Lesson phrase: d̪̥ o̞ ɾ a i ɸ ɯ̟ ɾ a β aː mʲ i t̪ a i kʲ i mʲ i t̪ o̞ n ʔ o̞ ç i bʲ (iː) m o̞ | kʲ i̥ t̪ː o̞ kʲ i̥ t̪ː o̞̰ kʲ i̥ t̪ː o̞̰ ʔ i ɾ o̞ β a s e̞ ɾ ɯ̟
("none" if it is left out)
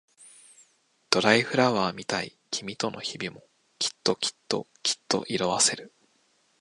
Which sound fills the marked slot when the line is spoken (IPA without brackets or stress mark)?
i